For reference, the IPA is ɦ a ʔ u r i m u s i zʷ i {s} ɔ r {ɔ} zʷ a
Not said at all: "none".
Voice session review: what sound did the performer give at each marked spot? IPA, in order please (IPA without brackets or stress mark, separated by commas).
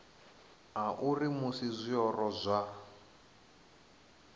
none, ɔ